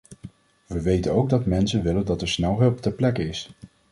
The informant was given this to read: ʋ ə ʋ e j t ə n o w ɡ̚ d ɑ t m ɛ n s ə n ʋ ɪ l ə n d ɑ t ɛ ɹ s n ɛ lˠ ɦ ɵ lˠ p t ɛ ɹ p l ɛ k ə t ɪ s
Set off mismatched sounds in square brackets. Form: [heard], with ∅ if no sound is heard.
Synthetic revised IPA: ʋ ə ʋ e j t ə n o w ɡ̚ d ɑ t m ɛ n s ə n ʋ ɪ l ə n d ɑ t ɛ ɹ s n ɛ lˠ ɦ ɵ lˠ p t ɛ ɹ p l ɛ k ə [∅] ɪ s